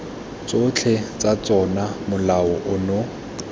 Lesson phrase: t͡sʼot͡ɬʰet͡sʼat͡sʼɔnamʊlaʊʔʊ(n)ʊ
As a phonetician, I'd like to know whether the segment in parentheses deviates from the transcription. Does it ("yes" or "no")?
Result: no